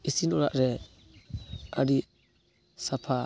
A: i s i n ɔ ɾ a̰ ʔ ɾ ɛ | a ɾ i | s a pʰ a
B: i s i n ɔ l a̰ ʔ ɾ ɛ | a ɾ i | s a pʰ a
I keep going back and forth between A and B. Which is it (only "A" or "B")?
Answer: A